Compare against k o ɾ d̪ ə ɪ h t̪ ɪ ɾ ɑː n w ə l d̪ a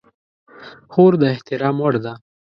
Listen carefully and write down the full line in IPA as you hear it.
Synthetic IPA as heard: x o ɾ d̪ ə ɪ h t̪ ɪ ɾ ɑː m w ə ɽ d̪ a